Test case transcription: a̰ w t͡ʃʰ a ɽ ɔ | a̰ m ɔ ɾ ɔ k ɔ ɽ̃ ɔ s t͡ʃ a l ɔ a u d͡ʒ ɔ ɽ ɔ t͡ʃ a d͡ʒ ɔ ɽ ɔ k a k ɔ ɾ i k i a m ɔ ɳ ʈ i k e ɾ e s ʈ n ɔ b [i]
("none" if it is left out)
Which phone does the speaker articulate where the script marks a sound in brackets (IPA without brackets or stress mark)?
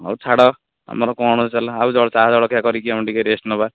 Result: a